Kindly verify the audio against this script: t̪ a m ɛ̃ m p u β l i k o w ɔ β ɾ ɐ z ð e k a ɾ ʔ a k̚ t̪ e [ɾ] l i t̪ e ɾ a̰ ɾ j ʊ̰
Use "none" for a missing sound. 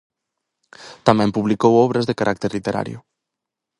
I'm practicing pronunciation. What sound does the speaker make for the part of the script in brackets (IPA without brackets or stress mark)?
ɾ